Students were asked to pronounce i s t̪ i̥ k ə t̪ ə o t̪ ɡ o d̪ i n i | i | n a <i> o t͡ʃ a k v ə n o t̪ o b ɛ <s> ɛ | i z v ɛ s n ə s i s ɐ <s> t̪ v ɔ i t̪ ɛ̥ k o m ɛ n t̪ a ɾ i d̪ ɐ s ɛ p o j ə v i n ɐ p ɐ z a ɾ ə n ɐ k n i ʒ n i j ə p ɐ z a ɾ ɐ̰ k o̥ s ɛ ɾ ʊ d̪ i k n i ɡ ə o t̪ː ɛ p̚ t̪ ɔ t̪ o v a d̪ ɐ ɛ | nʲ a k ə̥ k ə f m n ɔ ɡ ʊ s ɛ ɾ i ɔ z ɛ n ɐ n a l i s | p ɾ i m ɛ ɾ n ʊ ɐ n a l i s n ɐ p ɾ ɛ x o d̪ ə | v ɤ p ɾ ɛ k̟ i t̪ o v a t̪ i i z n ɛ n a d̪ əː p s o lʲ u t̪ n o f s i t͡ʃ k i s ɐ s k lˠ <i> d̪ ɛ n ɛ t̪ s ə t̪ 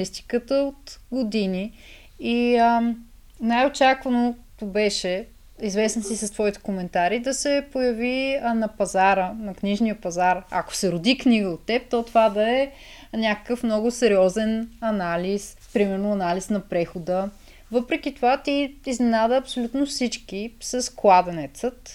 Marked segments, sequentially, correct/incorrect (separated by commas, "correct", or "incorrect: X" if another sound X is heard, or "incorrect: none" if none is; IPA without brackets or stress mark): incorrect: j, incorrect: ʃ, correct, incorrect: a